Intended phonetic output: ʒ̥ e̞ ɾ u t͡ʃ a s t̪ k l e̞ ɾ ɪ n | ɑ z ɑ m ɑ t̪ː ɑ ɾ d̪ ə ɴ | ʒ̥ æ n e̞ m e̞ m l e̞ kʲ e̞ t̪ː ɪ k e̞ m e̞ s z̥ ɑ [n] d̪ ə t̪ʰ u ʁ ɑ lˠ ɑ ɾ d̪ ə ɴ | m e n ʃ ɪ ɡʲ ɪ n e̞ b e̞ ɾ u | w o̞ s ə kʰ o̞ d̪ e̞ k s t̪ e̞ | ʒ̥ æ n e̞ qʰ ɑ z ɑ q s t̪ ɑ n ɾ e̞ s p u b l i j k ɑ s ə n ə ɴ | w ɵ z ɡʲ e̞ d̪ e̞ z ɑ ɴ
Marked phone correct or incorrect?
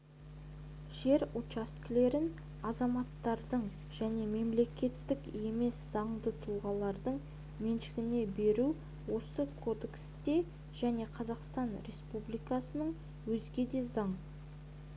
incorrect